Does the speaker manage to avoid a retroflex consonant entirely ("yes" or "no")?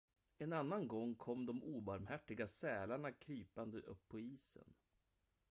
no